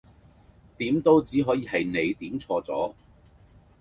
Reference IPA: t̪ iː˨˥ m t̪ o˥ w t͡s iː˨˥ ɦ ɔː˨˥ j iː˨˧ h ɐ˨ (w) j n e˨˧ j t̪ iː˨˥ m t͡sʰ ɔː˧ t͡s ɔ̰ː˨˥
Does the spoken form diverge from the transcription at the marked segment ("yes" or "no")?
yes